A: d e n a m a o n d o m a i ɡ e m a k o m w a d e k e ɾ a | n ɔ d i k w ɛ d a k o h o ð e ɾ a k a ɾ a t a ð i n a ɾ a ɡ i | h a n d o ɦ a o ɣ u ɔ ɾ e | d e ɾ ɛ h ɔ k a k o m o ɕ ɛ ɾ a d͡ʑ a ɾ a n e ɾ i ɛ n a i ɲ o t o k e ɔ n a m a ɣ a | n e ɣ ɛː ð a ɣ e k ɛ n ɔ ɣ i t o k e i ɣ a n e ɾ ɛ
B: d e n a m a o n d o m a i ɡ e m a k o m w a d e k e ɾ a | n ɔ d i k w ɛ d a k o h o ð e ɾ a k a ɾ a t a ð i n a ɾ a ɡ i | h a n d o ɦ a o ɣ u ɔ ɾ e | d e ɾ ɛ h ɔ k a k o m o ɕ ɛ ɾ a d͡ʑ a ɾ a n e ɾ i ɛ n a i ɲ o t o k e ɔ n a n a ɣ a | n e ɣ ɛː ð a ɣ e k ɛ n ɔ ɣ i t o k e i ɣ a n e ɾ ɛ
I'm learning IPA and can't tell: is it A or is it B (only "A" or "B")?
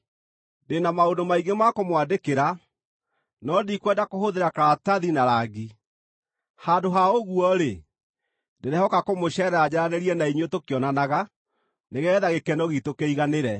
B